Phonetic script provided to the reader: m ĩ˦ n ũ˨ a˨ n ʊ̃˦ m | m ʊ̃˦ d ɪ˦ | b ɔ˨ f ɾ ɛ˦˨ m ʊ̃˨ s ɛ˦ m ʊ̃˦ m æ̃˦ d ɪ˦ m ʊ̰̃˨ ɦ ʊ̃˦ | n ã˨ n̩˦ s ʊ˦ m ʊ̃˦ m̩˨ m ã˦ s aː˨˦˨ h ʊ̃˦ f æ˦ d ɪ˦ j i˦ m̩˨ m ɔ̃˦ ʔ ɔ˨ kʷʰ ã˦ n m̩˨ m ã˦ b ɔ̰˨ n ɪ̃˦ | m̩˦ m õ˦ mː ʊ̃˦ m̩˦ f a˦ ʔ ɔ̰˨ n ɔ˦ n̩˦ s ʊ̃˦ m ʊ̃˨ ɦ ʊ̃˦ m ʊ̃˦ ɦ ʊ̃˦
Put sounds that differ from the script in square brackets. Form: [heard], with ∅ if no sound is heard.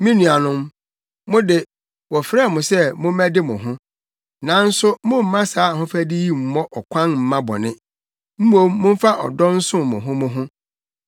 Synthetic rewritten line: m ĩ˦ n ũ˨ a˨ n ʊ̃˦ m | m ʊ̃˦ d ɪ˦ | [w] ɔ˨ f ɾ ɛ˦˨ m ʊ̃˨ s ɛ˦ m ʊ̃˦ m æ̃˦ d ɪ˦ m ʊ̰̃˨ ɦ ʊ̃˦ | n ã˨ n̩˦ s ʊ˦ m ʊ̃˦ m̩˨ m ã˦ s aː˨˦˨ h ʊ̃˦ f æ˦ d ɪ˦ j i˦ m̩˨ m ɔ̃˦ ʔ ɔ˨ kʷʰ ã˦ n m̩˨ m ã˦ b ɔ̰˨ n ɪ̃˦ | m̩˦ m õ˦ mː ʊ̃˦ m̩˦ f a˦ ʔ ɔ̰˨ [d] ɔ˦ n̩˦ s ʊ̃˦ m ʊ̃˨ ɦ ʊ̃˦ m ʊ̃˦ ɦ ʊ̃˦